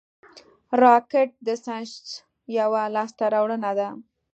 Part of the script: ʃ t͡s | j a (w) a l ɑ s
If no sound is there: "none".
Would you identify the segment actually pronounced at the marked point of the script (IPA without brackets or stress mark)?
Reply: w